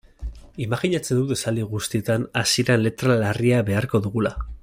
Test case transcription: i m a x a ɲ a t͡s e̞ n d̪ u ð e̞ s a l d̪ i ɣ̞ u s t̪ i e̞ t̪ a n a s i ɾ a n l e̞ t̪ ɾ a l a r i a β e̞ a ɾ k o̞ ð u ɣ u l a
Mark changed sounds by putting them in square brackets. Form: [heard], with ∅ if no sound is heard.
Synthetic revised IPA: i m a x [i] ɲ a t͡s e̞ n d̪ u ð e̞ s a l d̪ i ɣ̞ u s t̪ i e̞ t̪ a n a s i ɾ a n l e̞ t̪ ɾ a l a r i a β e̞ a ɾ k o̞ ð u ɣ u l a